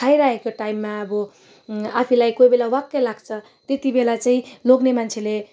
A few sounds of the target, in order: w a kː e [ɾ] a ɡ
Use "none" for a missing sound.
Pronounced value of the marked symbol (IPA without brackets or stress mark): l